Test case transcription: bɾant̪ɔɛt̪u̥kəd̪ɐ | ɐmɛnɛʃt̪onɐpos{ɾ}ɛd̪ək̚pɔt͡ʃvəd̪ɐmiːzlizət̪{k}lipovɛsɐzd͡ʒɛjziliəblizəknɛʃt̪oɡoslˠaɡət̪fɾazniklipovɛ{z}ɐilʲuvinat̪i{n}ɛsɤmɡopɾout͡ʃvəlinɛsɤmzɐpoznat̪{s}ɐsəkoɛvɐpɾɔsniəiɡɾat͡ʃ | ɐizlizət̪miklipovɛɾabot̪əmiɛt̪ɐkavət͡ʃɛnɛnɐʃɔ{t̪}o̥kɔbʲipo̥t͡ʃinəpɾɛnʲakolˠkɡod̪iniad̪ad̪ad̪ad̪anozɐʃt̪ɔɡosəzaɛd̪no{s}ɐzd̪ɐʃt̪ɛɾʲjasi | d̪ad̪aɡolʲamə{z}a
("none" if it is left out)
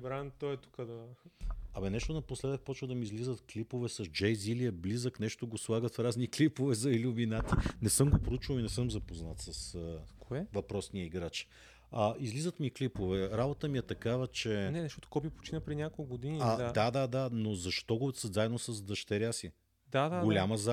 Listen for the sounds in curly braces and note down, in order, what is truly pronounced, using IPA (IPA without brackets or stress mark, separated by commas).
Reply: l, k, z, n, s, t̪, s, z